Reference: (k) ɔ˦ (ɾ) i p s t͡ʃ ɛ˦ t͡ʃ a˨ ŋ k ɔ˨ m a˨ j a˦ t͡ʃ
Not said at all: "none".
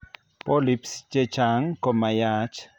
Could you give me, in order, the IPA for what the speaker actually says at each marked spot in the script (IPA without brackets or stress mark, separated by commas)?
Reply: p, l